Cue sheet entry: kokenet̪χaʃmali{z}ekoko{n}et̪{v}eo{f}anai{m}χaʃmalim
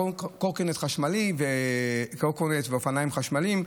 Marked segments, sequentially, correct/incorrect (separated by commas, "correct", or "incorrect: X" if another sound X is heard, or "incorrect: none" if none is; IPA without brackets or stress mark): incorrect: v, correct, correct, correct, correct